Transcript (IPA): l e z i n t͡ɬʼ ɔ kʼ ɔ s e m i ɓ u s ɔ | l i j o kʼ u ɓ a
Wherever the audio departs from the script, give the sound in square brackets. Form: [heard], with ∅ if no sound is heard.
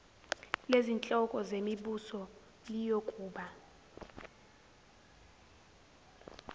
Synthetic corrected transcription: l e z i n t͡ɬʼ ɔ kʼ ɔ [z] e m i ɓ u s ɔ | l i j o kʼ [uː] ɓ a